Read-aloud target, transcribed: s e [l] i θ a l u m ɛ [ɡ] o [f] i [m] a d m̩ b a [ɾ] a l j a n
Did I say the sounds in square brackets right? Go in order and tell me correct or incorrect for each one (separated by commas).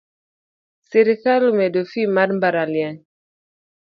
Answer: incorrect, incorrect, correct, correct, correct